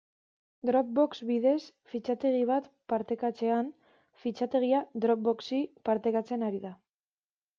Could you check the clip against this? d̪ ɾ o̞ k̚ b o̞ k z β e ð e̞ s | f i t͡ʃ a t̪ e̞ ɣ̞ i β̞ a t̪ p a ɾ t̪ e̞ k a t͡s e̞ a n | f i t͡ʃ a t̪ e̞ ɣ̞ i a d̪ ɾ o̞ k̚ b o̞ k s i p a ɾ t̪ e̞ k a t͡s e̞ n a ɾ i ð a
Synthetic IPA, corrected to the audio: d̪ ɾ o̞ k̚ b o̞ k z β i ð e̞ s | f i t͡ʃ a t̪ e̞ ɣ̞ i β̞ a t̪ p a ɾ t̪ e̞ k a t͡s e̞ a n | f i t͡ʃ a t̪ e̞ ɣ̞ i a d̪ ɾ o̞ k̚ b o̞ k s i p a ɾ t̪ e̞ k a t͡s e̞ n a ɾ i ð a